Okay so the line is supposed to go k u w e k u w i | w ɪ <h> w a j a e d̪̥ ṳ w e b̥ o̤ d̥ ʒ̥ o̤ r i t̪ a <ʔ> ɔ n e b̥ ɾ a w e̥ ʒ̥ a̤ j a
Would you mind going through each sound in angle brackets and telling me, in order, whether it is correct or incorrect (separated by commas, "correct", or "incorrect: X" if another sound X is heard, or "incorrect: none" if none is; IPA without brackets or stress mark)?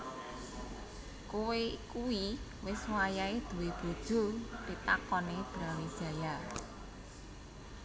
incorrect: s, incorrect: k